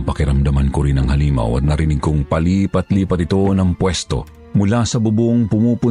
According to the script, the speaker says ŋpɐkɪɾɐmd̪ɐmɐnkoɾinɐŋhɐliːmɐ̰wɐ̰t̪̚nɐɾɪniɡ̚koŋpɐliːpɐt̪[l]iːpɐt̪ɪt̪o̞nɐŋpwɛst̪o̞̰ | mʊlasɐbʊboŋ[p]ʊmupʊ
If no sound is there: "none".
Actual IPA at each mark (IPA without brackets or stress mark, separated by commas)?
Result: l, p